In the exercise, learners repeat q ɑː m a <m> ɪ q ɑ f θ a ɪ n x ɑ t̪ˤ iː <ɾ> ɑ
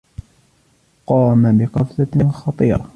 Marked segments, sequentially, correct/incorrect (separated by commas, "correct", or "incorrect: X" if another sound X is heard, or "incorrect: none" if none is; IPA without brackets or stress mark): incorrect: b, correct